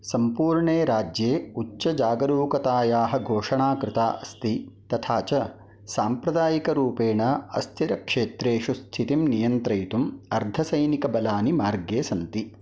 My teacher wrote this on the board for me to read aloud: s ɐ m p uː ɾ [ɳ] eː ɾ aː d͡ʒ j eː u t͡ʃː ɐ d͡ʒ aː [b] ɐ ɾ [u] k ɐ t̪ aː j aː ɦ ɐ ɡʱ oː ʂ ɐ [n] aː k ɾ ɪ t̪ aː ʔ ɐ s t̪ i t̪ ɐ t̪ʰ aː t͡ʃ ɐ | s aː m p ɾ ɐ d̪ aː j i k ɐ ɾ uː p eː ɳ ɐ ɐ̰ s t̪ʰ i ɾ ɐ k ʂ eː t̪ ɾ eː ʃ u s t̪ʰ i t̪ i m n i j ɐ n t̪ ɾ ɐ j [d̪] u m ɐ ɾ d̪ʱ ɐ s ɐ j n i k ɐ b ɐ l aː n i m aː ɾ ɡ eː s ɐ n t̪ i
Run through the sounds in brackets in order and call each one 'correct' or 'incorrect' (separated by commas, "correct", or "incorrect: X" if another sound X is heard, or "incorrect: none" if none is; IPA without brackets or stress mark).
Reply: correct, incorrect: ɡ, incorrect: uː, incorrect: ɳ, incorrect: t̪